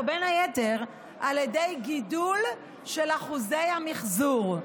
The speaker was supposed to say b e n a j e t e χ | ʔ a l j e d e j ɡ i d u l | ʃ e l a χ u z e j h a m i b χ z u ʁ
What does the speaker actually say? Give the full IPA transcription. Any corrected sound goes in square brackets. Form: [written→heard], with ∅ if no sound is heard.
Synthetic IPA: b e n a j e t e [χ→ʁ] | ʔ a l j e d e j ɡ i d u l | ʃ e l a χ u z e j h a m i [b→∅] χ z u ʁ